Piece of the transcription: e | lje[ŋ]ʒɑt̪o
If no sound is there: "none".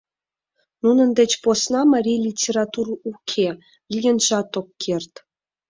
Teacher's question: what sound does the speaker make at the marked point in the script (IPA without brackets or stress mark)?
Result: n